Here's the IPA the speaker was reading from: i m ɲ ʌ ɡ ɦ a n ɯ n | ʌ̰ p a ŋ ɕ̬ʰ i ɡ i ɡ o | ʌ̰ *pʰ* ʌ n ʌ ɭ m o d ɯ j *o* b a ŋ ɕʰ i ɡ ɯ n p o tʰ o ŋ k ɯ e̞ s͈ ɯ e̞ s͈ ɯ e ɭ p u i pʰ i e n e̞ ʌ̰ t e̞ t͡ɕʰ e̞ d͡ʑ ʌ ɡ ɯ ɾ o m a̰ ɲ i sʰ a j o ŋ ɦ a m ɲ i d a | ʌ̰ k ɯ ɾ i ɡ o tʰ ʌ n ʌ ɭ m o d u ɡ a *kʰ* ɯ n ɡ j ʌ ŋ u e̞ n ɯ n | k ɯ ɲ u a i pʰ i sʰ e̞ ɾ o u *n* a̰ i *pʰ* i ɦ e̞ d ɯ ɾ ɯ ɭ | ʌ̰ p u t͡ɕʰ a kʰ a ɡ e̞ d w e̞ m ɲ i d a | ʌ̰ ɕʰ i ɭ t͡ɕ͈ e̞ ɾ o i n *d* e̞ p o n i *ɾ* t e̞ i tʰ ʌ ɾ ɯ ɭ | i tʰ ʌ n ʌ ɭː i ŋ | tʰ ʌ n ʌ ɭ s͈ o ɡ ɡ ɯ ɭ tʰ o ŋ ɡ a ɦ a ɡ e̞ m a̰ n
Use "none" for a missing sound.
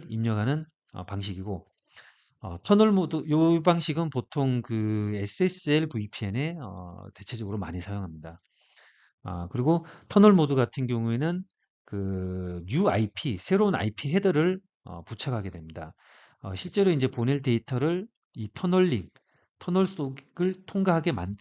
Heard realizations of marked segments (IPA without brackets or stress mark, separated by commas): tʰ, o, tʰ, n, pʰ, d͡ʑ, ɭ